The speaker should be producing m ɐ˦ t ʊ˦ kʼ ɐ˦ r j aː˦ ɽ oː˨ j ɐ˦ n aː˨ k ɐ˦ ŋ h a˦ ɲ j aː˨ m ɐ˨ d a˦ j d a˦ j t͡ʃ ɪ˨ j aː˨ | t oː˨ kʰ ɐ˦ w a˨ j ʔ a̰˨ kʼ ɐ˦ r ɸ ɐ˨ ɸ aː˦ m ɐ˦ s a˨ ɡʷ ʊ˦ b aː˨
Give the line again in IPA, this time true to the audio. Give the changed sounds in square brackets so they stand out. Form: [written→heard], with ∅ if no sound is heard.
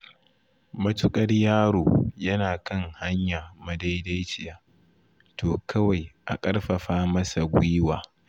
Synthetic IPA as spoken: m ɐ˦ t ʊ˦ kʼ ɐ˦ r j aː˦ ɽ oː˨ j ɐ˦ n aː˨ k ɐ˦ ŋ h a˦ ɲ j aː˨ m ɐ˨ d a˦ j d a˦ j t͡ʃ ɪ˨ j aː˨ | t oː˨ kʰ ɐ˦ w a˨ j ʔ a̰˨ kʼ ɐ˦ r ɸ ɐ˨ ɸ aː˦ m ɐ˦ s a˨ ɡʷ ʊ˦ [b→w] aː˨